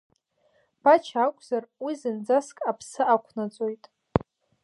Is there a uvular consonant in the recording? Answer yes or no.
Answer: no